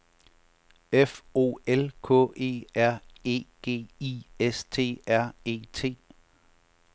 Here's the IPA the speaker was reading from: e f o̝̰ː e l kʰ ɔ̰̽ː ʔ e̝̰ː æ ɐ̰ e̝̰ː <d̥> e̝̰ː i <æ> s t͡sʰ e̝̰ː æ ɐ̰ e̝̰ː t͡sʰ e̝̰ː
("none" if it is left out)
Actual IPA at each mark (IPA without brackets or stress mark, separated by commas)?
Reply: ɡ̥, e